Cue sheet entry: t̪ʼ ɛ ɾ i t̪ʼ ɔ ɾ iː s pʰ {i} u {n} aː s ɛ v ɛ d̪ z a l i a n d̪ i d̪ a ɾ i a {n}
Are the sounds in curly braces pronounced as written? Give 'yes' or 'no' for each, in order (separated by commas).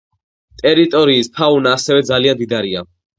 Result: no, yes, no